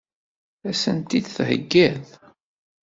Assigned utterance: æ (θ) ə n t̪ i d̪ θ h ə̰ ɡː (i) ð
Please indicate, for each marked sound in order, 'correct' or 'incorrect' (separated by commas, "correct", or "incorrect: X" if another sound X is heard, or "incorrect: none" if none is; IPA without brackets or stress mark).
incorrect: s, incorrect: æ